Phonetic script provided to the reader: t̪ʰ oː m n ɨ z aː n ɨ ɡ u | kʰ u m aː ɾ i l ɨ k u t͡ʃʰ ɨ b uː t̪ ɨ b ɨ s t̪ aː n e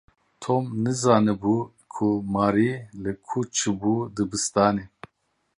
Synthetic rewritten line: t̪ʰ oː m n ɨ z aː n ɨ b u | kʰ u m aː ɾ i l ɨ kʰ u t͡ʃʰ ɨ b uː d̪ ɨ b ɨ s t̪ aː n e